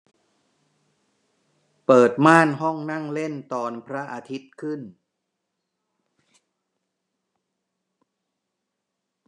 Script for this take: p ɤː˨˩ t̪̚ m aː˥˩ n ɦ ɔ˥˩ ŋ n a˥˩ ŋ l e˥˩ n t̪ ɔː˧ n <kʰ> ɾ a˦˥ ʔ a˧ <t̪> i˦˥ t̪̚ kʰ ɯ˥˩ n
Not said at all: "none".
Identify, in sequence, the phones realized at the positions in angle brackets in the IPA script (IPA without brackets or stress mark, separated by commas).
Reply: pʰ, t̪ʰ